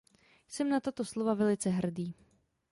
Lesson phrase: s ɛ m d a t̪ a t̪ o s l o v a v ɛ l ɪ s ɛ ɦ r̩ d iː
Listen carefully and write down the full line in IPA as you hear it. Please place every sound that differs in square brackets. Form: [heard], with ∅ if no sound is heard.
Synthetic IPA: s ɛ m [n] a t̪ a t̪ o s l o v a v ɛ l ɪ [t͡s] ɛ ɦ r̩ d iː